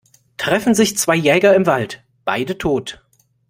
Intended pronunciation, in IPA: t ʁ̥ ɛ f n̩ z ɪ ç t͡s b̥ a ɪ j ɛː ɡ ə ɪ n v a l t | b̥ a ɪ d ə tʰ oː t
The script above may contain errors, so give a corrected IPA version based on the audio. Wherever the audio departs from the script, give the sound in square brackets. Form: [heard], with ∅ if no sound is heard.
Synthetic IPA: t ʁ̥ ɛ f n̩ z ɪ ç t͡s [v̥] a ɪ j ɛː ɡ [ɐ] ɪ [m] v a l t | b̥ a ɪ d ə tʰ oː t